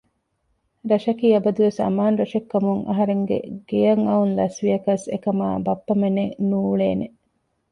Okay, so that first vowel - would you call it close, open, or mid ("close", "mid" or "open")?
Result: open